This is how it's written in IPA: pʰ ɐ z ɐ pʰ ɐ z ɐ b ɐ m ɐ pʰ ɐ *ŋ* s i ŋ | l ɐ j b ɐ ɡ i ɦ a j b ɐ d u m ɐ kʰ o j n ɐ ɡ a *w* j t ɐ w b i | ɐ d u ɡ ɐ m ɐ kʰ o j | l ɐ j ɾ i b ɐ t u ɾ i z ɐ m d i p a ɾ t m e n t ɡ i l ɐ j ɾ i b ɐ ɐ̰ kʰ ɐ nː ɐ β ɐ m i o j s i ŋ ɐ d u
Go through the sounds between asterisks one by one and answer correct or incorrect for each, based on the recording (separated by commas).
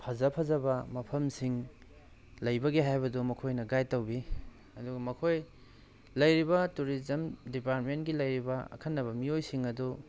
incorrect, incorrect